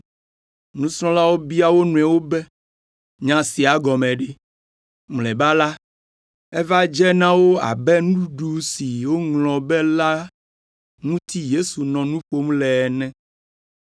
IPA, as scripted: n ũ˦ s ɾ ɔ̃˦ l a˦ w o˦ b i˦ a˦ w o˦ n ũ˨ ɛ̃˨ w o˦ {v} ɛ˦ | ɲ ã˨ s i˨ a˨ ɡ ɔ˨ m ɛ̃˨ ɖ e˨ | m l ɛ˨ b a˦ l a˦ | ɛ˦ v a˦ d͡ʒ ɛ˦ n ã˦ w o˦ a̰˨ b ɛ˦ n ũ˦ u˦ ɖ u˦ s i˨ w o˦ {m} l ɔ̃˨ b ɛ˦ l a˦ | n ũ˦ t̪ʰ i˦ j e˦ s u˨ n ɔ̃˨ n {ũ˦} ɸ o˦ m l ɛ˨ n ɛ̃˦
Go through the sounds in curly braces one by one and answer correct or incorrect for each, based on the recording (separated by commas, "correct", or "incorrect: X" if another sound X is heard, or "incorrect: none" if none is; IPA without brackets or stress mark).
incorrect: b, incorrect: ŋ, correct